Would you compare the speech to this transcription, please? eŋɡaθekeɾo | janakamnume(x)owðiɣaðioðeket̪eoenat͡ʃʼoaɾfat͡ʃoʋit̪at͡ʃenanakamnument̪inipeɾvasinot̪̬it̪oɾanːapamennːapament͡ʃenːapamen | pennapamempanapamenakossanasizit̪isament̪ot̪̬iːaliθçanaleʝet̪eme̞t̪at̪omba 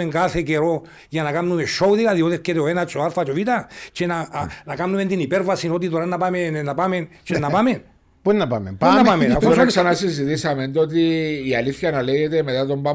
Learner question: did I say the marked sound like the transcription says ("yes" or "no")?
no